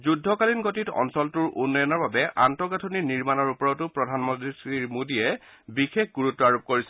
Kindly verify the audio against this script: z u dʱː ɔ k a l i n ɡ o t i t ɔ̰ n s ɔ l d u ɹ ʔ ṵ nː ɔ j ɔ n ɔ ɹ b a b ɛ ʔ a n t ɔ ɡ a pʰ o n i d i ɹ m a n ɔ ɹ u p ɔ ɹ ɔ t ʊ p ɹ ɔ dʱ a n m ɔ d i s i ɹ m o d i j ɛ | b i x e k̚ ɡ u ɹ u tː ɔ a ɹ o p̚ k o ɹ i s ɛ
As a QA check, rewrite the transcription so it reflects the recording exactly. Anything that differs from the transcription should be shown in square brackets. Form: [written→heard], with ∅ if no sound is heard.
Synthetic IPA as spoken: z u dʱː ɔ k a l i n ɡ o t i t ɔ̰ n s ɔ l [d→t] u ɹ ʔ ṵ nː ɔ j ɔ n ɔ ɹ b a b ɛ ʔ a n t ɔ ɡ a [pʰ→tʰ] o n i [d→n] i ɹ m a n ɔ ɹ u p ɔ ɹ ɔ t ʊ p ɹ ɔ dʱ a n m ɔ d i s i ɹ m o d i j ɛ | b i x e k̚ ɡ u ɹ u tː ɔ a ɹ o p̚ k o ɹ i s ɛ